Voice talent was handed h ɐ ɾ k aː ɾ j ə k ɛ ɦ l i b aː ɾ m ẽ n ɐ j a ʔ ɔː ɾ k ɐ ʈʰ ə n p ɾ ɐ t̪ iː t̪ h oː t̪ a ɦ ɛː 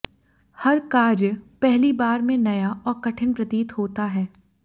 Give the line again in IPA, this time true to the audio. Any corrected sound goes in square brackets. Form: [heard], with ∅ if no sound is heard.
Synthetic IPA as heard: h ɐ ɾ k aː ɾ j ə [p] ɛ ɦ l i b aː ɾ m ẽ n ɐ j a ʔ ɔː ɾ k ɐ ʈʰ ə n p ɾ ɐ t̪ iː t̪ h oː t̪ a ɦ ɛː